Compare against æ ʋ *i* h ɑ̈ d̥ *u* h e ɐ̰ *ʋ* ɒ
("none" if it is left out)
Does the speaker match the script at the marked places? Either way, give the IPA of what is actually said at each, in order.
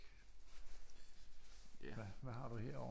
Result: æ, u, none

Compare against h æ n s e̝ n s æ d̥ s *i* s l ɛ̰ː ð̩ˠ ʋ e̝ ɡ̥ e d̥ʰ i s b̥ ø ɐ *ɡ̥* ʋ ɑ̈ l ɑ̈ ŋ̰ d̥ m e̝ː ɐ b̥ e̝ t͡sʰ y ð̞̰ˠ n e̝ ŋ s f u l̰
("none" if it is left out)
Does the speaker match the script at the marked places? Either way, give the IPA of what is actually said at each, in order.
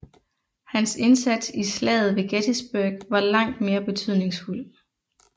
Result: i, ɡ̥

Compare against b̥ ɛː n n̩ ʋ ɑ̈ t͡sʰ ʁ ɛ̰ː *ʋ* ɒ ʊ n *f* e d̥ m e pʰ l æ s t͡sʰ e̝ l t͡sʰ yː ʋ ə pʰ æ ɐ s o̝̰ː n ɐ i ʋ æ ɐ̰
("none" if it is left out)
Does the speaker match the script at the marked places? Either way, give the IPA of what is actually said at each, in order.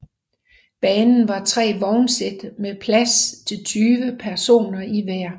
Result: ʋ, s

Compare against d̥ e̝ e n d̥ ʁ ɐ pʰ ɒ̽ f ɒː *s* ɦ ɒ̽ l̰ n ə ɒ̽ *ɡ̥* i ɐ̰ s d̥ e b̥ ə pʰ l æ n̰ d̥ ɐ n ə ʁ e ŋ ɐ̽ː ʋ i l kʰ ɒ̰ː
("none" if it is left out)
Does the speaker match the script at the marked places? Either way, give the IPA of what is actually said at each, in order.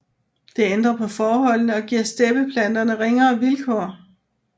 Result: none, ɡ̥

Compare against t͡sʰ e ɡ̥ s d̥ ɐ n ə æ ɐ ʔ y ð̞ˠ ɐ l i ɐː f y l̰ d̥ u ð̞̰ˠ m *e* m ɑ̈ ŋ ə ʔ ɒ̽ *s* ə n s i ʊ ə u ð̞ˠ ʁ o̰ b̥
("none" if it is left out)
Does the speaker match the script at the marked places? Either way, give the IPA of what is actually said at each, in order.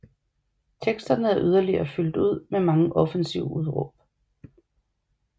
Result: e, f

